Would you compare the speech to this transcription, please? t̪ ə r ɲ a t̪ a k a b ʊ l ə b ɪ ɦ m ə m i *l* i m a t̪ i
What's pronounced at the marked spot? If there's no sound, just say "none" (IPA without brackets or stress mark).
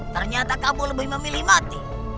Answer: l